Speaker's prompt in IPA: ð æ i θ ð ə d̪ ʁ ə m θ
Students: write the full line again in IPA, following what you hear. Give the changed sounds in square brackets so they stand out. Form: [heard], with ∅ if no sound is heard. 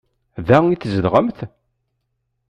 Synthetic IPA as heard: ð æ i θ [z] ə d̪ ʁ ə m θ